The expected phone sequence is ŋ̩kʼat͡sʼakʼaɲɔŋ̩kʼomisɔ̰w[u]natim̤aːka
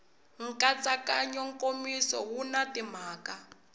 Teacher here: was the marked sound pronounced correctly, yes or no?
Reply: yes